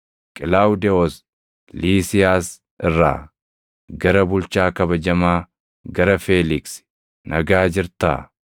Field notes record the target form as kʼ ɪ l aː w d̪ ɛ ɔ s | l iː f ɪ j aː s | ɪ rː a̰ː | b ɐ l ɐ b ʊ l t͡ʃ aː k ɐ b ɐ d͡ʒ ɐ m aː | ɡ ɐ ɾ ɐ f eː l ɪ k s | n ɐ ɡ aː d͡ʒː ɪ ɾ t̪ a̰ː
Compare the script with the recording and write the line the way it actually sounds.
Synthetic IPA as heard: kʼ ɪ l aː w d̪ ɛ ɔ s | l iː s ɪ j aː s | ɪ rː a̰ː | ɡ ɐ ɾ ɐ b ʊ l t͡ʃ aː k ɐ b ɐ d͡ʒ ɐ m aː | ɡ ɐ ɾ ɐ f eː l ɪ k s | n ɐ ɡ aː d͡ʒ ɪ ɾ t̪ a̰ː

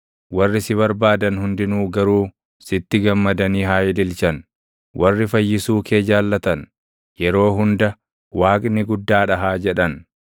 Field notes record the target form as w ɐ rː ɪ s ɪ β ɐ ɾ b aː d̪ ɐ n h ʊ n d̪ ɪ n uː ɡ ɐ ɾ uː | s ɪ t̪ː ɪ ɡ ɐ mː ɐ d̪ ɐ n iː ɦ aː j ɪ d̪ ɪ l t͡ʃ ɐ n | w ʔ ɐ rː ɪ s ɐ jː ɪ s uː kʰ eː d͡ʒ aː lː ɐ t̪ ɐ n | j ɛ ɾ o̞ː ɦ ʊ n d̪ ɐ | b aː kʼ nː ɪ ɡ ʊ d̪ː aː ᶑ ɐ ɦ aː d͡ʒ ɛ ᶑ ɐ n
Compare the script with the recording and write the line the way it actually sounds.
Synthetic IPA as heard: w ɐ rː ɪ s ɪ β ɐ ɾ b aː d̪ ɐ n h ʊ n d̪ ɪ n uː ɡ ɐ ɾ uː | s ɪ t̪ː ɪ ɡ ɐ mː ɐ d̪ ɐ n iː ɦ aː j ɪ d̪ ɪ l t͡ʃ ɐ n | w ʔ ɐ rː ɪ f ɐ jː ɪ s uː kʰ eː d͡ʒ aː lː ɐ t̪ ɐ n | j ɛ ɾ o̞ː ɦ ʊ n d̪ ɐ | w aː kʼ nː ɪ ɡ ʊ d̪ː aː ᶑ ɐ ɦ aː d͡ʒ ɛ ᶑ ɐ n

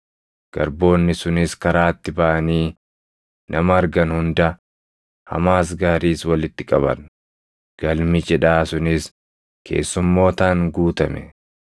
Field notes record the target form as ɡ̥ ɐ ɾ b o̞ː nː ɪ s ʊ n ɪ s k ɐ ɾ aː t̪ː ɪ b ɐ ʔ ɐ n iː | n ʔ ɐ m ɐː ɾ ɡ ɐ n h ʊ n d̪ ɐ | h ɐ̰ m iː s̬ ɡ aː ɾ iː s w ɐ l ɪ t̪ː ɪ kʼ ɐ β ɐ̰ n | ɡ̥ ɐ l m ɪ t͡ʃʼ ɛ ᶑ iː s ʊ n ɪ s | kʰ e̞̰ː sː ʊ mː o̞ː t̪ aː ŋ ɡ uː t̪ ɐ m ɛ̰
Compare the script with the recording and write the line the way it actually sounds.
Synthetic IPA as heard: ɡ̥ ɐ ɾ b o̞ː nː ɪ s ʊ n ɪ s k ɐ ɾ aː t̪ː ɪ b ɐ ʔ ɐ n iː | n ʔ ɐ m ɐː ɾ ɡ ɐ n h ʊ n d̪ ɐ | h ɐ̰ m aː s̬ ɡ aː ɾ iː s w ɐ l ɪ t̪ː ɪ kʼ ɐ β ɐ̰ n | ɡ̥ ɐ l m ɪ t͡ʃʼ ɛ ᶑ aː s ʊ n ɪ s | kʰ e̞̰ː sː ʊ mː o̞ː t̪ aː ŋ ɡ uː t̪ ɐ m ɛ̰

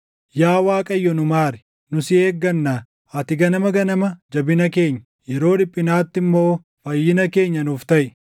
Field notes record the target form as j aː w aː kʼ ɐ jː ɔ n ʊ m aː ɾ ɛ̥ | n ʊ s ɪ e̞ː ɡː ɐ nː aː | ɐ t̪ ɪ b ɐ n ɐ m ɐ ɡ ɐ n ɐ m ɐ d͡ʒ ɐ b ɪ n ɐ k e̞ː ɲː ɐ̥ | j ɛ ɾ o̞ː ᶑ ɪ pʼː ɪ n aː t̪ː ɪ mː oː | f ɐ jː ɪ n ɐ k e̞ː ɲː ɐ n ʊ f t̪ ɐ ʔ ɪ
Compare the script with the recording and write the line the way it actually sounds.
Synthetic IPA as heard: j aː w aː kʼ ɐ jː ɔ n ʊ m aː ɾ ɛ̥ | n ʊ s ɪ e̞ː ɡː ɐ nː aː | ɐ t̪ ɪ ɡ ɐ n ɐ m ɐ ɡ ɐ n ɐ m ɐ d͡ʒ ɐ b ɪ n ɐ k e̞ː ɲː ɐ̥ | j ɛ ɾ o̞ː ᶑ ɪ pʼː ɪ n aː t̪ː ɪ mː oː | f ɐ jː ɪ n ɐ k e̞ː ɲː ɐ n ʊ f t̪ ɐ ʔ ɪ

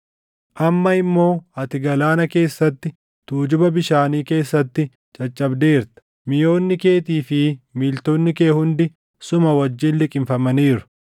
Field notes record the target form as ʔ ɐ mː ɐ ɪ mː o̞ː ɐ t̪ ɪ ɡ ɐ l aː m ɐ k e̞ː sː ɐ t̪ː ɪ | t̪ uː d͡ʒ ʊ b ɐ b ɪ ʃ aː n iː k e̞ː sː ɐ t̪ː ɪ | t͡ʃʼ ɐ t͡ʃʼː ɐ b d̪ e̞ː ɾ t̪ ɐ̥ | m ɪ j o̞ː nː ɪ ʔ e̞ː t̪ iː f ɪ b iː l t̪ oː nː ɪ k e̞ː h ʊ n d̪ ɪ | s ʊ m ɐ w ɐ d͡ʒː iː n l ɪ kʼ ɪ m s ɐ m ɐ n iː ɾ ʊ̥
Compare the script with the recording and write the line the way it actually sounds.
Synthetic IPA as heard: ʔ ɐ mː ɐ ɪ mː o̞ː ɐ t̪ ɪ ɡ ɐ l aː n ɐ k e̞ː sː ɐ t̪ː ɪ | t̪ uː d͡ʒ ʊ b ɐ b ɪ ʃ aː n iː k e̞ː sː ɐ t̪ː ɪ | t͡ʃʼ ɐ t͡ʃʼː ɐ b d̪ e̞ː ɾ t̪ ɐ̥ | m ɪ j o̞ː nː ɪ k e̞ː t̪ iː f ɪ m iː l t̪ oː nː ɪ k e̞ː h ʊ n d̪ ɪ | s ʊ m ɐ w ɐ d͡ʒː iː n l ɪ kʼ ɪ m f ɐ m ɐ n iː ɾ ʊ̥

